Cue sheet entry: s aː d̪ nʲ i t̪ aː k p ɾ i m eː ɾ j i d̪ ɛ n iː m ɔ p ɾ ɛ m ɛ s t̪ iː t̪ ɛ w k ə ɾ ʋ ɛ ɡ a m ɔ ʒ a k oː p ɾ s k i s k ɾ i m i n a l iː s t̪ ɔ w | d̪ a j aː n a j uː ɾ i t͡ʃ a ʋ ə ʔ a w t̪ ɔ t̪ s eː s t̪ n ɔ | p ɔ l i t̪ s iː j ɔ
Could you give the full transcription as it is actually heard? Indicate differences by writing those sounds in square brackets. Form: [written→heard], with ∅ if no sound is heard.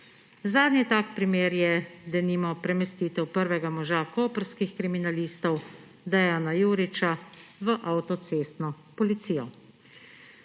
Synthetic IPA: [s→z] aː d̪ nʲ i t̪ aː k p ɾ i m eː ɾ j [i→ɛ] d̪ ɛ n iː m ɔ p ɾ ɛ m ɛ s t̪ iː t̪ ɛ w [k→p] ə ɾ ʋ ɛ ɡ a m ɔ ʒ a k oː p ɾ s k i [s→x] k ɾ i m i n a l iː s t̪ ɔ w | d̪ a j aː n a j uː ɾ i t͡ʃ a ʋ ə ʔ a w t̪ ɔ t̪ s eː s t̪ n ɔ | p ɔ l i t̪ s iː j ɔ